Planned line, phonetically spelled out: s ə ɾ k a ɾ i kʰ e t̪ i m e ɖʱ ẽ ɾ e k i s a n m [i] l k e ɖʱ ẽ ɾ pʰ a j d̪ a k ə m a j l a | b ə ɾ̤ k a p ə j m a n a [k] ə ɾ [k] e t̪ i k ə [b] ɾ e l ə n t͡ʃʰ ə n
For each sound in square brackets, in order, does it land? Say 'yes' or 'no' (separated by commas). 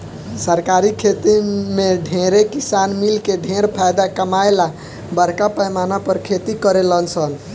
yes, no, no, no